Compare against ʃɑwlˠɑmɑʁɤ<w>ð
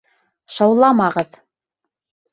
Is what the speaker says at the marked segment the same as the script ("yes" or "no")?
no